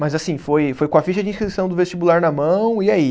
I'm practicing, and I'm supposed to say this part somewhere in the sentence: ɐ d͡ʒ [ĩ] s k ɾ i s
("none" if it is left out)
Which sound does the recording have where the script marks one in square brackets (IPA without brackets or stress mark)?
ĩ